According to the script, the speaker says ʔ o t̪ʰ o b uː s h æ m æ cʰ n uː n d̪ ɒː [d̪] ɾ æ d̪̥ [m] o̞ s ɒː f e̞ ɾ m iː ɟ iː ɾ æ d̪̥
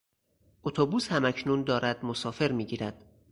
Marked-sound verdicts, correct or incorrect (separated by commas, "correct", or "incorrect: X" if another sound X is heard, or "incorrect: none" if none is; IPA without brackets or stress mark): incorrect: none, correct